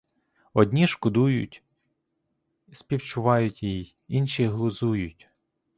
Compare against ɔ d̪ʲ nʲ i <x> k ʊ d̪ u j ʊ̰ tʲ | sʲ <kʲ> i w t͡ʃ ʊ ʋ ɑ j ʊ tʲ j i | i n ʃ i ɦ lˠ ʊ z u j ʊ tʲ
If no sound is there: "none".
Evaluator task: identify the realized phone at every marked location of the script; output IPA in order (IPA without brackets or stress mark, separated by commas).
ʃ, pʲ